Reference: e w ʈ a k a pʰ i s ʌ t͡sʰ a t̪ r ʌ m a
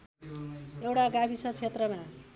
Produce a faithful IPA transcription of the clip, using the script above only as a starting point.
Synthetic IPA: e w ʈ a ɡ a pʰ i s ʌ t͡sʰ e t̪ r ʌ m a